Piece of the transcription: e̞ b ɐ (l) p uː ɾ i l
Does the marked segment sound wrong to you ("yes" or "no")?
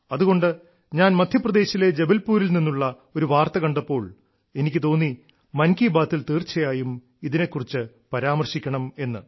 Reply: no